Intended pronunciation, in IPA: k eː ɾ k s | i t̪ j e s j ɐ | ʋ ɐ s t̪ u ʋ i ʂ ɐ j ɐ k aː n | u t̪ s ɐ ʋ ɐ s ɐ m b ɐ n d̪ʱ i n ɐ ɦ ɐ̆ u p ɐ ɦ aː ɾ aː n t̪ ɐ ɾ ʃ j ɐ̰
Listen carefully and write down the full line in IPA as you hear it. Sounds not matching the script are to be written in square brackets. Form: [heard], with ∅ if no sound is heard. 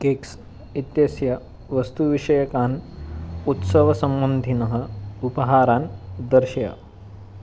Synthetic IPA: k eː [∅] k s | i t̪ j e s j ɐ | ʋ ɐ s t̪ u ʋ i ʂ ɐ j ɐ k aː n | u t̪ s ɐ ʋ ɐ s ɐ m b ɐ n d̪ʱ i n ɐ ɦ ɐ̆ u p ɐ ɦ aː ɾ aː n [d̪] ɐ ɾ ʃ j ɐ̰